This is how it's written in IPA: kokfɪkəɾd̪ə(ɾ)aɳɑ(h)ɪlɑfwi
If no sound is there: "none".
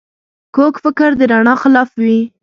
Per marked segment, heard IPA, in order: ɾ, x

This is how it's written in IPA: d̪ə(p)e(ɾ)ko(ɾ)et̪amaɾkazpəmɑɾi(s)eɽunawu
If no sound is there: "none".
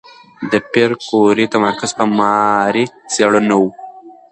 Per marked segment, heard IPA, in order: p, ɾ, ɾ, s

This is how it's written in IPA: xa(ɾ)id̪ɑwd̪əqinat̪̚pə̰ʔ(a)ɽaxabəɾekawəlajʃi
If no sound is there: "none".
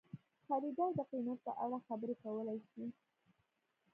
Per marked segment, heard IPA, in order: ɾ, a

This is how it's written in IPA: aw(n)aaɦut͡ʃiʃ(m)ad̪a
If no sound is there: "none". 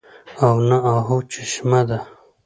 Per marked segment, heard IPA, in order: n, m

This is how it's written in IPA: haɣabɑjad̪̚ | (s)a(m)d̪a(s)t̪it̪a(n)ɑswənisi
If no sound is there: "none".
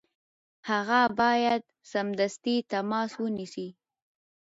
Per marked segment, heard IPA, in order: s, m, s, m

